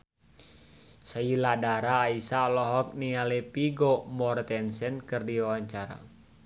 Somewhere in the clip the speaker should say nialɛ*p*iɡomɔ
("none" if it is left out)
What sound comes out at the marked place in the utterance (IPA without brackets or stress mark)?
p